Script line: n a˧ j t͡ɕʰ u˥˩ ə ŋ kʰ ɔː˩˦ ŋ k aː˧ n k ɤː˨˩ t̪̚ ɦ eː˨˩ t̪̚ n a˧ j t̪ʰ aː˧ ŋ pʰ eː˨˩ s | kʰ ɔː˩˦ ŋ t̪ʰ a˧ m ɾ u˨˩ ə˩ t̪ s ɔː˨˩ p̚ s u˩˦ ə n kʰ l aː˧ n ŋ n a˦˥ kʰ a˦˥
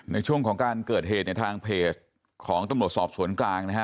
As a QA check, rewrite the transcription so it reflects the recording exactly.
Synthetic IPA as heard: n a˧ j t͡ɕʰ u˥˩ ə ŋ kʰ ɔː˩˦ ŋ k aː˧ n k ɤː˨˩ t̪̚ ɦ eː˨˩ t̪̚ n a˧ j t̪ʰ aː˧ ŋ pʰ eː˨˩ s | kʰ ɔː˩˦ ŋ t̪ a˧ m ɾ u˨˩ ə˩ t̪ s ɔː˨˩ p̚ s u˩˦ ə n k l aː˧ ŋ n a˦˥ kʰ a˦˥